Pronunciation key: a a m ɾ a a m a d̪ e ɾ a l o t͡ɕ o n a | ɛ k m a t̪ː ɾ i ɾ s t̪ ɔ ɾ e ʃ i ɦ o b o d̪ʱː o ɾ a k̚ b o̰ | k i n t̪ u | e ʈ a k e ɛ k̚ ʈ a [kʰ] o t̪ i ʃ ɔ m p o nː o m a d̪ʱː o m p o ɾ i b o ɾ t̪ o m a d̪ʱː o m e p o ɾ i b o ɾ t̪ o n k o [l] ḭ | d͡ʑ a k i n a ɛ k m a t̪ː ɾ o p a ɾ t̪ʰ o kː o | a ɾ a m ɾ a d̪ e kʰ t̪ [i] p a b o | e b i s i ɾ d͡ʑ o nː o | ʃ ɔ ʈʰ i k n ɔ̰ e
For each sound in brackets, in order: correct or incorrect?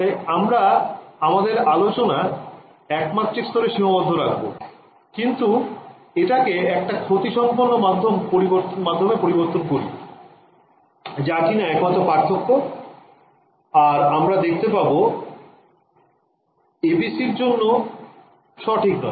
correct, incorrect, incorrect

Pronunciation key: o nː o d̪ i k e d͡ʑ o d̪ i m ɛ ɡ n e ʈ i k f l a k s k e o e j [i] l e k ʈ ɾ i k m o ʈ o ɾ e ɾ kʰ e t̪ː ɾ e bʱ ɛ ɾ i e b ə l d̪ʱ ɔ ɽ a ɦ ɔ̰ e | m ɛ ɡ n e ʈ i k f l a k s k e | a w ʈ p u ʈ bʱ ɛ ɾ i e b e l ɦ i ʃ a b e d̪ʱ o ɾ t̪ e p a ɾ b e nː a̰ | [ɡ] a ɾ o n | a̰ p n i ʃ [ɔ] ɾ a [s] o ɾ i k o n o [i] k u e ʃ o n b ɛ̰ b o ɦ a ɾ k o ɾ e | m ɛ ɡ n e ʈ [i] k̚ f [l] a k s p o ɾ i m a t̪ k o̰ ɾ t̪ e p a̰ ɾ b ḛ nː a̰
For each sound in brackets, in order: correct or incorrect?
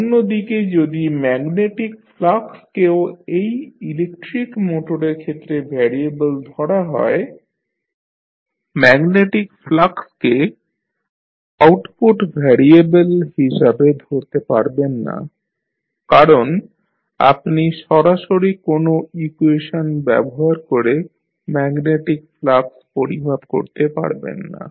correct, incorrect, correct, incorrect, correct, correct, correct

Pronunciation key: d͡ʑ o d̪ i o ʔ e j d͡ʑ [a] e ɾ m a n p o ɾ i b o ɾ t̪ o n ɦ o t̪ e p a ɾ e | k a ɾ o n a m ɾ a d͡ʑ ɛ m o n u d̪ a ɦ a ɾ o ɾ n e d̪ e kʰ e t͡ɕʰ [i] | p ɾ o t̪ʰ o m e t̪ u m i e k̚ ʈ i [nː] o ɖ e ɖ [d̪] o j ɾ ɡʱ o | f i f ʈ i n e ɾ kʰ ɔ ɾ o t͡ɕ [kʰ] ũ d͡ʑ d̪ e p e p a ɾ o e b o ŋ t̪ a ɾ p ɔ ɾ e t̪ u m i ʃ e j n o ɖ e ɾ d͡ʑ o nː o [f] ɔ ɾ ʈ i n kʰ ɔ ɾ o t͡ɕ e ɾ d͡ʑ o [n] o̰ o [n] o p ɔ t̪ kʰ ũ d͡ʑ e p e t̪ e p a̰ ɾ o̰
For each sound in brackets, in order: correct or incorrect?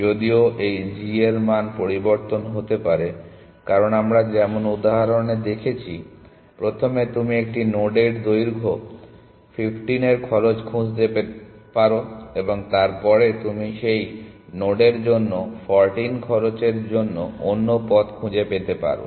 incorrect, correct, incorrect, correct, correct, correct, incorrect, incorrect

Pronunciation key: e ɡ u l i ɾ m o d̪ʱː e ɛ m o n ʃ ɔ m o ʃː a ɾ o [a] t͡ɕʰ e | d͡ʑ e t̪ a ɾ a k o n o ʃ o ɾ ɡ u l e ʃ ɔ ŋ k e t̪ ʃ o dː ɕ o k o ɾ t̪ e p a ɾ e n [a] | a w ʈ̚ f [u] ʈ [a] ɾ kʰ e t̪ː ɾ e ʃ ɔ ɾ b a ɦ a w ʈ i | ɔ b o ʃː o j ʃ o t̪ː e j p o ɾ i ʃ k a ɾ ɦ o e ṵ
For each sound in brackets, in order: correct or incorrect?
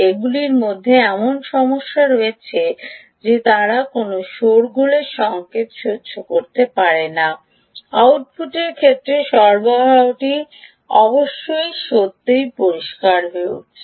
incorrect, correct, correct, incorrect

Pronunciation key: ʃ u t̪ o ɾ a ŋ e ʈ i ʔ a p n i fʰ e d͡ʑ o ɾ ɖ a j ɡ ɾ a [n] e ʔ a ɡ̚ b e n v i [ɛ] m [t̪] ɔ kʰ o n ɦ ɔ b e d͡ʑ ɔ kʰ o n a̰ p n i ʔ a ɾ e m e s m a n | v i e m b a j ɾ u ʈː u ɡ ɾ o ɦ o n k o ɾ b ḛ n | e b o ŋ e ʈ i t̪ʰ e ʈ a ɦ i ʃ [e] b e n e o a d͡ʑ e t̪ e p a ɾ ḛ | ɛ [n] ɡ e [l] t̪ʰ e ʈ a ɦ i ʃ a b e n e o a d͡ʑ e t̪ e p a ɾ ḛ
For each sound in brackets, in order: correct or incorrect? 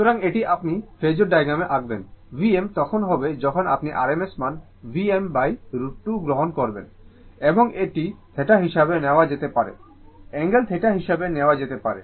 incorrect, incorrect, correct, incorrect, incorrect, correct

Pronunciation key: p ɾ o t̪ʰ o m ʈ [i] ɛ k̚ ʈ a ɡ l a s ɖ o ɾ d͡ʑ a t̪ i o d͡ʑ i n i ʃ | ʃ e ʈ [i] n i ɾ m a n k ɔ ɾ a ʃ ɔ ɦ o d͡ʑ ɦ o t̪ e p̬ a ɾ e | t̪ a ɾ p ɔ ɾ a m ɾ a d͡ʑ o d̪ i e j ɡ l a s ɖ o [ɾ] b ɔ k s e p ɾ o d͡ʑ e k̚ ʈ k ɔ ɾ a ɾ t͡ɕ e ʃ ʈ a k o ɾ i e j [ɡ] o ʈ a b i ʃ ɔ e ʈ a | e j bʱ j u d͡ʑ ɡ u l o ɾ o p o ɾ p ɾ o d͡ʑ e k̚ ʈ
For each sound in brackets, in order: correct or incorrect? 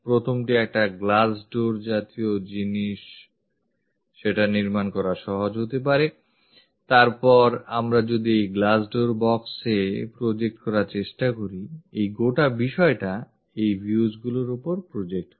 correct, incorrect, correct, correct

